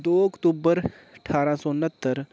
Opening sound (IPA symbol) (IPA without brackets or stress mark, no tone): d̪